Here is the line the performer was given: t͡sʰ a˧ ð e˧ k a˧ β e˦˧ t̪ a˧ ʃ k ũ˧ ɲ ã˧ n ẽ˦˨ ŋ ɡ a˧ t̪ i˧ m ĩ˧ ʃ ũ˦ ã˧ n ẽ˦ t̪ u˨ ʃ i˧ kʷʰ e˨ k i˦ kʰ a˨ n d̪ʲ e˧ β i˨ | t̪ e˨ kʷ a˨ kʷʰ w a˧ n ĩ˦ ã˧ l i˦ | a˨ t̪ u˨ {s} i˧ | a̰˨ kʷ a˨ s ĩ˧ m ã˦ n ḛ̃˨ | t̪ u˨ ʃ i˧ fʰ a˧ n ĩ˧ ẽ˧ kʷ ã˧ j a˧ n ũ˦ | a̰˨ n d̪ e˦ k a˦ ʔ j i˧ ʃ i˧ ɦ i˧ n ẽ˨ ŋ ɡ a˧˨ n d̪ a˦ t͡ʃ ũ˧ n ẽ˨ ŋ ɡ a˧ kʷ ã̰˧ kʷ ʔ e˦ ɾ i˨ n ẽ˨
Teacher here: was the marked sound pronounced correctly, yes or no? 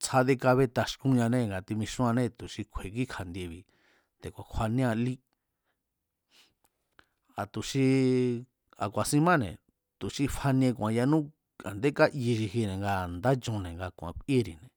no